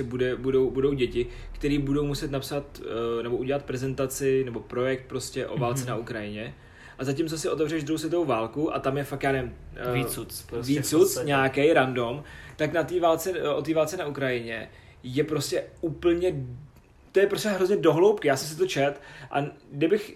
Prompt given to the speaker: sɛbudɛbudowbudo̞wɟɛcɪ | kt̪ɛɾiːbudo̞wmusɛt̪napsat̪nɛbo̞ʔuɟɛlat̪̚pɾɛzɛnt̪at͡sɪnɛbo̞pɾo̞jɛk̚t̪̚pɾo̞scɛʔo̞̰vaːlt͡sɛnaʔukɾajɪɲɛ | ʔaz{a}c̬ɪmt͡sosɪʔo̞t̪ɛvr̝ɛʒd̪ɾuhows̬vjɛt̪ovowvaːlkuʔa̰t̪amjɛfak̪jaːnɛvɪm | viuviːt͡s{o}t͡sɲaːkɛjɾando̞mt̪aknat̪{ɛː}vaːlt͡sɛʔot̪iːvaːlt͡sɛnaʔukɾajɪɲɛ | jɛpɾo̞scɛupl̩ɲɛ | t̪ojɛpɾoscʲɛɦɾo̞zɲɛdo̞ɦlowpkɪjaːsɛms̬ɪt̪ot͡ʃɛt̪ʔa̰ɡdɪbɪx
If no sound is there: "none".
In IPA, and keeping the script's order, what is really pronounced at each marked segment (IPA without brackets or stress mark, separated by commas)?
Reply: a, u, iː